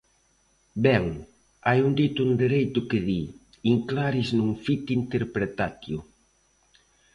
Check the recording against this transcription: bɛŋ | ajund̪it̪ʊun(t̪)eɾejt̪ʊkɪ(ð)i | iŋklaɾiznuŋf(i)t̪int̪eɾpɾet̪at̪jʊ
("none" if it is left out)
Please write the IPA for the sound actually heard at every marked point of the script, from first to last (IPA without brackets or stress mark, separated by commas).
d̪, ð, i